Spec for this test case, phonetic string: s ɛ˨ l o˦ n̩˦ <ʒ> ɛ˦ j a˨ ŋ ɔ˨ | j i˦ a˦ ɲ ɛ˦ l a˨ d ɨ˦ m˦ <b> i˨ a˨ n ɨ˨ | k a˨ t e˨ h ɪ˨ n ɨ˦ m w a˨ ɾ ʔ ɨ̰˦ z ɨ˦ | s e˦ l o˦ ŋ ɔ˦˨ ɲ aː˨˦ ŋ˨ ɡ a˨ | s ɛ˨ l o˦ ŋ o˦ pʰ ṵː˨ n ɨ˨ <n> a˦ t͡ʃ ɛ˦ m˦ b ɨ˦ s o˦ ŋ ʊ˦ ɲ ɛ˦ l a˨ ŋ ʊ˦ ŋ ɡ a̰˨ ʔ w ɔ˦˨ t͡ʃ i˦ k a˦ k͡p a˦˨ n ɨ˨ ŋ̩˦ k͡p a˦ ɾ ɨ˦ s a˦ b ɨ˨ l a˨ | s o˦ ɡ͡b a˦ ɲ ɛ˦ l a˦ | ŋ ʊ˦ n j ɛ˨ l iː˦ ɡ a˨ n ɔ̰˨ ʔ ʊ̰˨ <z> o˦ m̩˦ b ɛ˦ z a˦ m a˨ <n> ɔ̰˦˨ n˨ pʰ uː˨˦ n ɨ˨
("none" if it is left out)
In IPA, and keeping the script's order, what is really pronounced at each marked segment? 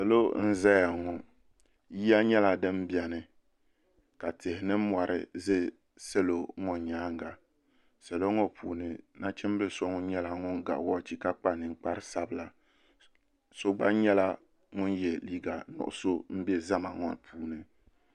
z, b, n, s, ŋ

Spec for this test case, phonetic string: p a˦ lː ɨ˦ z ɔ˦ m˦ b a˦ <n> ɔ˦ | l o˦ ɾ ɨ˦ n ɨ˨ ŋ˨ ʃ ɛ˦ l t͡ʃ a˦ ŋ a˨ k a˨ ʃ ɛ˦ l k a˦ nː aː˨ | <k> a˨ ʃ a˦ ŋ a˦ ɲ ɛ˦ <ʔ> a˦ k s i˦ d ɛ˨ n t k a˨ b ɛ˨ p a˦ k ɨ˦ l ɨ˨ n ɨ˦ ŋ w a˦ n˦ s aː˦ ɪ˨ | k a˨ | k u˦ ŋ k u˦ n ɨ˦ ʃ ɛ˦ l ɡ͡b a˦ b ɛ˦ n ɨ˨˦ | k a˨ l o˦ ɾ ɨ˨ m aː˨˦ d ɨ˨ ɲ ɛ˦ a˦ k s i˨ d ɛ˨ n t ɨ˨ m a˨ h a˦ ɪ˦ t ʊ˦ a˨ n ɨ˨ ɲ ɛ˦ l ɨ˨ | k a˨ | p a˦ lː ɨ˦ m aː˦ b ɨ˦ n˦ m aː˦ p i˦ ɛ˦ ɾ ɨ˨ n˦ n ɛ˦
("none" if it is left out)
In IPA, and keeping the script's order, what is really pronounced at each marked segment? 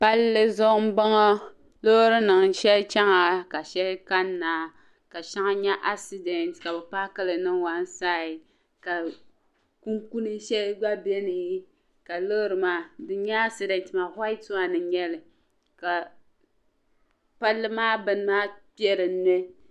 ŋ, k, ʔ

